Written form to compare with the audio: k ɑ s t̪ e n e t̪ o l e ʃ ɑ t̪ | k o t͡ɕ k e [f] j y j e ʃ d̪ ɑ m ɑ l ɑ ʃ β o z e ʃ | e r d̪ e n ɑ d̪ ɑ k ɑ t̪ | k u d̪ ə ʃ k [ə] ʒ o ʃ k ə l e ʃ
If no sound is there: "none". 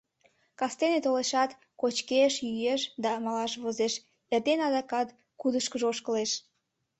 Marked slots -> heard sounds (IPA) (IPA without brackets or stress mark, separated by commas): ʃ, ə